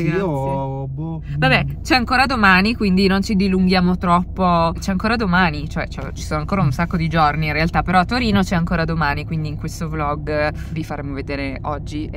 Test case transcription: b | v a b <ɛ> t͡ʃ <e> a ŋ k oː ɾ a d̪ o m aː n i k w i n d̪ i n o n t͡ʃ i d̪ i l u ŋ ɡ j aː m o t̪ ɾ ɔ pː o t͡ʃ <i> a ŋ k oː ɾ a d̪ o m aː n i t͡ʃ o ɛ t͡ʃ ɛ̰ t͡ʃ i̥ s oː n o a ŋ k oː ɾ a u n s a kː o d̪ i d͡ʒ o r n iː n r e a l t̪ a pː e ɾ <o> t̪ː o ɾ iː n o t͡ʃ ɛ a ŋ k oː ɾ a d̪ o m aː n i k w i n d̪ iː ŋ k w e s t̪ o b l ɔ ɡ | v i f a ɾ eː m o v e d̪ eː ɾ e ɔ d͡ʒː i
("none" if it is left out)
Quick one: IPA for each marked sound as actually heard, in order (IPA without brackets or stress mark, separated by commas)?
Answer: ɛ, ɛ, ɛ, ɔ